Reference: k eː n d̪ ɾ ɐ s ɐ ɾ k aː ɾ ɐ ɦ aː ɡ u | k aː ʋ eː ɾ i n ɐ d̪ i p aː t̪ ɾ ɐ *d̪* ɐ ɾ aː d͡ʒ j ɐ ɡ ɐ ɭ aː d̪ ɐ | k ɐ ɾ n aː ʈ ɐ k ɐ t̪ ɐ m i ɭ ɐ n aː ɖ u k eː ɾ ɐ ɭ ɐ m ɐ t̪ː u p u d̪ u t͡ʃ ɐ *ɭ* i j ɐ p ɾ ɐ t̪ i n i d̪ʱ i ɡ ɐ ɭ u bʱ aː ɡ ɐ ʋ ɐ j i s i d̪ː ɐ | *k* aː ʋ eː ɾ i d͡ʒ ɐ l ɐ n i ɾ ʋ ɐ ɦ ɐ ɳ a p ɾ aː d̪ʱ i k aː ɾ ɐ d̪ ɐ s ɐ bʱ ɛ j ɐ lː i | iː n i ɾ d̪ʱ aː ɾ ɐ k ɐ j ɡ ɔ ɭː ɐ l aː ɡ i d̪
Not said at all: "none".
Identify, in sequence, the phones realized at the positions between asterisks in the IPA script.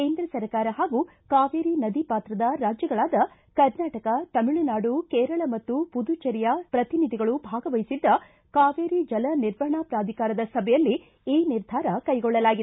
d̪, ɾ, k

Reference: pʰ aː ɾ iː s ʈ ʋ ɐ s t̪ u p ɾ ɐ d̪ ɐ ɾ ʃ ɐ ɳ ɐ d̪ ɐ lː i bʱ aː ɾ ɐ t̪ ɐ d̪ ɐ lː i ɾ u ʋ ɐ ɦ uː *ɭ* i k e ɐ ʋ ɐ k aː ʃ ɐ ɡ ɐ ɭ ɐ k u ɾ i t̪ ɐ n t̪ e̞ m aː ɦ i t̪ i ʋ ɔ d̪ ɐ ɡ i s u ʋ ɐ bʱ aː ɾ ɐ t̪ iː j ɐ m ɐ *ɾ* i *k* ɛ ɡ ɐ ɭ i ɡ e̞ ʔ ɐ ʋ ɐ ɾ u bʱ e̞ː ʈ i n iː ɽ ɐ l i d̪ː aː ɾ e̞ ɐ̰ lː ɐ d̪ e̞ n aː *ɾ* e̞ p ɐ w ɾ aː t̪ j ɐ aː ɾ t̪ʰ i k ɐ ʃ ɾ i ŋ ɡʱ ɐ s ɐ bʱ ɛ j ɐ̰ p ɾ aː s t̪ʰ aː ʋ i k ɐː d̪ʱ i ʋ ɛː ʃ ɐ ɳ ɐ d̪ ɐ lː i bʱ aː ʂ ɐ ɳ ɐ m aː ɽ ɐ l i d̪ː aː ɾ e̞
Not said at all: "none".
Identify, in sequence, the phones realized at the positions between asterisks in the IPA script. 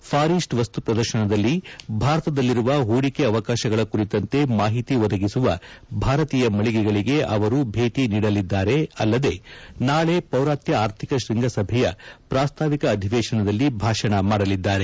ɽ, ɭ, ɡ, ɭ

